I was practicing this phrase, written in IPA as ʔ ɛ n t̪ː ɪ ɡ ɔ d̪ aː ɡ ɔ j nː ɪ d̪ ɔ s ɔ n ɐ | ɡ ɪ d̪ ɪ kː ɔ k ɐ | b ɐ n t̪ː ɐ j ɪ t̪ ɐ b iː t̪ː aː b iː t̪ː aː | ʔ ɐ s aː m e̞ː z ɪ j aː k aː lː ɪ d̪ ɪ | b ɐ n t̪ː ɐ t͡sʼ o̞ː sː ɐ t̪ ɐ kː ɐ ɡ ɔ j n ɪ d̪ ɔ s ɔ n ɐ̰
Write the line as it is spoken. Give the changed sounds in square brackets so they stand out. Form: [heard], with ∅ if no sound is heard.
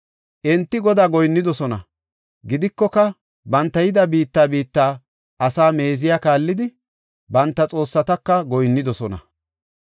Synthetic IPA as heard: ʔ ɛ n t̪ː ɪ ɡ ɔ d̪ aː ɡ ɔ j nː ɪ d̪ ɔ s ɔ n ɐ | ɡ ɪ d̪ ɪ kː ɔ k ɐ | b ɐ n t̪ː ɐ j ɪ [d̪] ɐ b iː t̪ː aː b iː t̪ː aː | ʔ ɐ s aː m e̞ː z ɪ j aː k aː lː ɪ d̪ ɪ | b ɐ n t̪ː ɐ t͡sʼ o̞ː sː ɐ t̪ ɐ kː ɐ ɡ ɔ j [nː] ɪ d̪ ɔ s ɔ n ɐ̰

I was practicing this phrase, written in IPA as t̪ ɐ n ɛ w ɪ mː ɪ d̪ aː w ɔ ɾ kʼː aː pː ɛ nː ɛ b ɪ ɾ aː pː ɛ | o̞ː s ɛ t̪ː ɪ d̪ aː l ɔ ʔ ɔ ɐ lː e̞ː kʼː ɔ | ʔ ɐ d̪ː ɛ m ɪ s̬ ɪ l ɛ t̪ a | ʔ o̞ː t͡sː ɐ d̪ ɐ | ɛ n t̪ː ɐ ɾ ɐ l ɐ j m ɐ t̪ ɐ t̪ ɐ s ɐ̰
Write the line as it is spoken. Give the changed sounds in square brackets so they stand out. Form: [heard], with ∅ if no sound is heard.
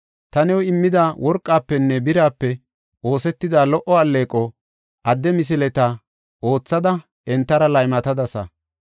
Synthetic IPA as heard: t̪ ɐ n ɛ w ɪ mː ɪ d̪ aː w ɔ ɾ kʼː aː pː ɛ nː ɛ b ɪ ɾ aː pː ɛ | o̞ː s ɛ t̪ː ɪ d̪ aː l ɔ ʔ ɔ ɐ lː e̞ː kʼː ɔ | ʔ ɐ d̪ː ɛ m ɪ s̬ ɪ l ɛ t̪ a | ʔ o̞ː t͡sː ɐ d̪ ɐ | ɛ n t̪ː ɐ ɾ ɐ l ɐ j m ɐ t̪ ɐ [d̪] ɐ s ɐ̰

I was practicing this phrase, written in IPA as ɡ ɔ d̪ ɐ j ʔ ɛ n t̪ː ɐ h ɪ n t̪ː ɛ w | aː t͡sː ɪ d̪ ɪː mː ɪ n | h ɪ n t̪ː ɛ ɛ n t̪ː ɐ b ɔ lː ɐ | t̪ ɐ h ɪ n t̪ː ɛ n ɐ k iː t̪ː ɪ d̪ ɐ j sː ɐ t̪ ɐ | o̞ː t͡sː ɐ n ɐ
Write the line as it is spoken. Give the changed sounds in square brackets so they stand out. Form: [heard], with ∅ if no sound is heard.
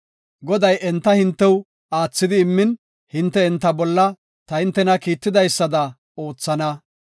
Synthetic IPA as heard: ɡ ɔ d̪ ɐ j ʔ ɛ n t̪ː ɐ h ɪ n t̪ː ɛ w | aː t͡sː ɪ d̪ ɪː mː ɪ n | h ɪ n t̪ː ɛ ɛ n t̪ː ɐ b ɔ lː ɐ | t̪ ɐ h ɪ n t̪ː ɛ n ɐ k iː t̪ː ɪ d̪ ɐ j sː ɐ [d̪] ɐ | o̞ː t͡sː ɐ n ɐ

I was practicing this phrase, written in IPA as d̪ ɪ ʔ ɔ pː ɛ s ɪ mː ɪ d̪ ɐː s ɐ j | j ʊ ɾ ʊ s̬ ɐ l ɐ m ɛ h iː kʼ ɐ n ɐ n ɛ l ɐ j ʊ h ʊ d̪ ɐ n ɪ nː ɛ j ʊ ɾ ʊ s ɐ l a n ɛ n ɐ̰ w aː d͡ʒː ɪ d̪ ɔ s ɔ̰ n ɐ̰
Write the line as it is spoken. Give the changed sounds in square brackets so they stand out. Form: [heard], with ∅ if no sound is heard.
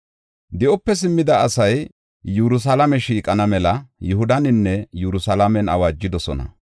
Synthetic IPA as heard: d̪ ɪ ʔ ɔ pː ɛ s ɪ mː ɪ d̪ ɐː s ɐ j | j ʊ ɾ ʊ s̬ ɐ l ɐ m ɛ [ʃ] iː kʼ ɐ n ɐ [m] ɛ l ɐ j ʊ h ʊ d̪ ɐ n ɪ nː ɛ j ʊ ɾ ʊ s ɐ l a [m] ɛ n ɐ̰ w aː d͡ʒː ɪ d̪ ɔ s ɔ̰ n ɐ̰

